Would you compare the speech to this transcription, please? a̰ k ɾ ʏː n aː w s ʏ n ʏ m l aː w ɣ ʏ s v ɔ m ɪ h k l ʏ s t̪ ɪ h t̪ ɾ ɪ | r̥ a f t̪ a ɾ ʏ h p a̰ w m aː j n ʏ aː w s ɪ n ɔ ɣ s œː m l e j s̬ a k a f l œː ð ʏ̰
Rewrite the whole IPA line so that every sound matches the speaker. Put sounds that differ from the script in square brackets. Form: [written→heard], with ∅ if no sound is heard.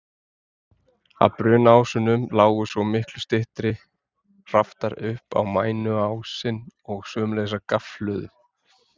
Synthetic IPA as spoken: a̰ [k→p] ɾ ʏː n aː w s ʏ n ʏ m l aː w ɣ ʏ s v ɔ m ɪ h k l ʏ s t̪ ɪ h t̪ ɾ ɪ | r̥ a f t̪ a ɾ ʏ h p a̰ w m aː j n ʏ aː w s ɪ n ɔ ɣ s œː m l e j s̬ a k a f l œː ð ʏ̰